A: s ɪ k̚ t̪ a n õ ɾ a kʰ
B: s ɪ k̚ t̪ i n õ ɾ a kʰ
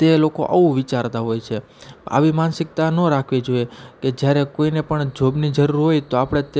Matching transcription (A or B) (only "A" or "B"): A